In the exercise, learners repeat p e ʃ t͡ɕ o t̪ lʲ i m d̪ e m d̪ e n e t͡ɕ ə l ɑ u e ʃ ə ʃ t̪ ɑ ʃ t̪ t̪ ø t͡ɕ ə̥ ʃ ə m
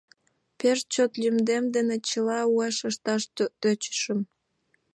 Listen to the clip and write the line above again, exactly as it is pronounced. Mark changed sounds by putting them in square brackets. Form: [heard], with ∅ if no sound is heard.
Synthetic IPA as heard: p e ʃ t͡ɕ o t̪ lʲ [y] m d̪ e m d̪ e n e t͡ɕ ə l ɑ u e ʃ ə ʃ t̪ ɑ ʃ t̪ t̪ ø t͡ɕ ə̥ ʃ ə m